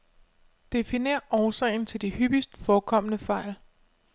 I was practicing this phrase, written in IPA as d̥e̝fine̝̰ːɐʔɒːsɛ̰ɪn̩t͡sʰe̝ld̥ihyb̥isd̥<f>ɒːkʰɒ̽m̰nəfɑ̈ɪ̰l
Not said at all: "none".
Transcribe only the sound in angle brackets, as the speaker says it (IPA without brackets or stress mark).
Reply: f